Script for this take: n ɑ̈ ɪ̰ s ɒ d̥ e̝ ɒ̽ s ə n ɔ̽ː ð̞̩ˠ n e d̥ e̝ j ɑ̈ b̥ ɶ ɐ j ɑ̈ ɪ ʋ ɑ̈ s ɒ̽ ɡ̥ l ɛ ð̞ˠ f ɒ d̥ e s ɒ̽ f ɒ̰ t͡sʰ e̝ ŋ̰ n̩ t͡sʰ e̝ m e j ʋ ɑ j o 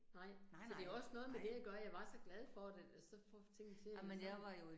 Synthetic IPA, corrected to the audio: n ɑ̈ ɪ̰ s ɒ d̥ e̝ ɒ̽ s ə n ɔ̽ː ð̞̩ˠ m e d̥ e̝ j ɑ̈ ɡ̥ ɶ ɐ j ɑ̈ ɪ ʋ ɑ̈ s ɒ̽ ɡ̥ l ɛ ð̞ˠ f ɒ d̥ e s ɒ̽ f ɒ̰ t͡sʰ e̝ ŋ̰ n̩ t͡sʰ e̝ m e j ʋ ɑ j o